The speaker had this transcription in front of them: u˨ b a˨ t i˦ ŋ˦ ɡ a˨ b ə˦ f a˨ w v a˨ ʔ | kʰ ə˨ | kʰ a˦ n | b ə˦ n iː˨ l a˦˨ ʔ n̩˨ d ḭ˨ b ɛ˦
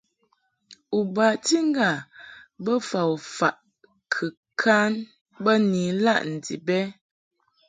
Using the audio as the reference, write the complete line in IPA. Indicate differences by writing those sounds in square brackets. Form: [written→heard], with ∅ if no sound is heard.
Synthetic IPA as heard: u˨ b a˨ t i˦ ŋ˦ ɡ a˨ b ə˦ f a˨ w [v→f] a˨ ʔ | kʰ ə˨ | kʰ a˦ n | b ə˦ n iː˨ l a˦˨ ʔ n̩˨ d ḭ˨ b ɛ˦